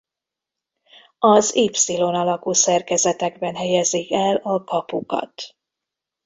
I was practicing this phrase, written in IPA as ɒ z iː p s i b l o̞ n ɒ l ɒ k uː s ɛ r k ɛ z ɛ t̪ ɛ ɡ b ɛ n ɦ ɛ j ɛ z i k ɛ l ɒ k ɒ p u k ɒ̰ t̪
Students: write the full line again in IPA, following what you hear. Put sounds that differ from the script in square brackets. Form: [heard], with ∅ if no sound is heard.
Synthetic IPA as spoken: ɒ z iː p s i [∅] l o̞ n ɒ l ɒ k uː s ɛ r k ɛ z ɛ t̪ ɛ ɡ b ɛ n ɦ ɛ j ɛ z i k ɛ l ɒ k ɒ p u k ɒ̰ t̪